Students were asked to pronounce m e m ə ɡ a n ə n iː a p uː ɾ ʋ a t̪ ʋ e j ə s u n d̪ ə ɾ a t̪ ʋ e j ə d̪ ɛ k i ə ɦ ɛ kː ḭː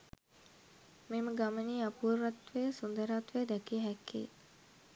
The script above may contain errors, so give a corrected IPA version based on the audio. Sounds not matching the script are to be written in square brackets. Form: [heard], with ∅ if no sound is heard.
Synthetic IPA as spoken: m e m ə ɡ a [m] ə n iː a p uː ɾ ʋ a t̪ ʋ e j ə s u n d̪ ə ɾ a t̪ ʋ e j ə d̪ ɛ k i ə ɦ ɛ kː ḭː